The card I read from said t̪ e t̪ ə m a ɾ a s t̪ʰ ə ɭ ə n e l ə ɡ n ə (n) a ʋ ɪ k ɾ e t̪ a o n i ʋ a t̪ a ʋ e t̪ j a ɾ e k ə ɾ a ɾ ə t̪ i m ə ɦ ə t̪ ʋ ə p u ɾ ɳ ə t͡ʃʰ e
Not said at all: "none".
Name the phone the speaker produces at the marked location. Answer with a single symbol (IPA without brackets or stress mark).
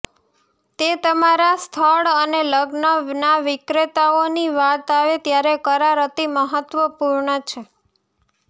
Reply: n